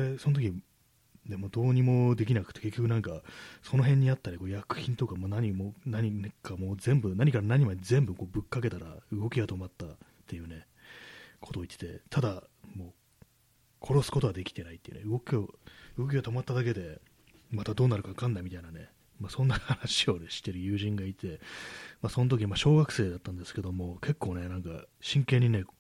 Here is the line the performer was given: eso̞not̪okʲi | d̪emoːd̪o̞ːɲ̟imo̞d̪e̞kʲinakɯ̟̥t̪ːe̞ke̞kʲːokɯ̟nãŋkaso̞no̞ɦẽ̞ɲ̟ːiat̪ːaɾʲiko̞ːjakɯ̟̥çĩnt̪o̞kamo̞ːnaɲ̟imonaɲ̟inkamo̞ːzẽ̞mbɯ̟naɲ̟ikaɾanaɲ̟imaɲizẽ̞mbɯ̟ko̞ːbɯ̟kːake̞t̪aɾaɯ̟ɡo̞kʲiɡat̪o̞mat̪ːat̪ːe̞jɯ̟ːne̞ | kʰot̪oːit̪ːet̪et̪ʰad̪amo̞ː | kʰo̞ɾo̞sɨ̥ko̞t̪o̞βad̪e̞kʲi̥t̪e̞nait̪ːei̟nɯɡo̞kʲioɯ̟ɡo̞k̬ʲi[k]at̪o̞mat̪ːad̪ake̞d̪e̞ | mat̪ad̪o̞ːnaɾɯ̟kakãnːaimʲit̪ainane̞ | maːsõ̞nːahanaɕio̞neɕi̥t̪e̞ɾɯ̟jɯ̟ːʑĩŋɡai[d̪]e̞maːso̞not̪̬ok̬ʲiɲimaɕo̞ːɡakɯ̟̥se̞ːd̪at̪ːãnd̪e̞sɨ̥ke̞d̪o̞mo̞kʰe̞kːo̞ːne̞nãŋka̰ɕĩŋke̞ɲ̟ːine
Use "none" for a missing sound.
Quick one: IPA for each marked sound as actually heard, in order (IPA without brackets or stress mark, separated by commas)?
ɡ, t̪